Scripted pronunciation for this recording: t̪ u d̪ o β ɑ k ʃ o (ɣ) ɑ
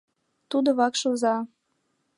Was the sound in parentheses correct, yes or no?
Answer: no